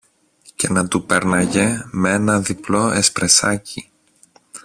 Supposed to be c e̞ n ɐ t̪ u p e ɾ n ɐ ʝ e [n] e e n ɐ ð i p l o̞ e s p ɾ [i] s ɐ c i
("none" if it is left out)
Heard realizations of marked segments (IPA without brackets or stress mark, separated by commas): m, e